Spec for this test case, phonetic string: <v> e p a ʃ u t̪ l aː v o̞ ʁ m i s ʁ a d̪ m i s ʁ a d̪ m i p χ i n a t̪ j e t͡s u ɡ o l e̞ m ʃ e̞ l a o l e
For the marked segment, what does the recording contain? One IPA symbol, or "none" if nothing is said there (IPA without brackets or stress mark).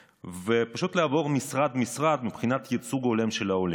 v